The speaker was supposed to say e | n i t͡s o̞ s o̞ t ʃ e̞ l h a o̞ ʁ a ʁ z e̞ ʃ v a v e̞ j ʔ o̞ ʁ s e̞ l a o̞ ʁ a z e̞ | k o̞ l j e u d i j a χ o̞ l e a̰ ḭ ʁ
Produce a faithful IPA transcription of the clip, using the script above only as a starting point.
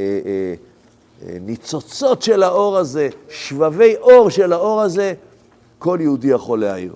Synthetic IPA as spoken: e | n i t͡s o̞ t͡s o̞ t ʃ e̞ l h a o̞ ʁ a z e̞ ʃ v a v e̞ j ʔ o̞ ʁ ʃ e̞ l a o̞ ʁ a z e̞ | k o̞ l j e u d i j a χ o̞ l e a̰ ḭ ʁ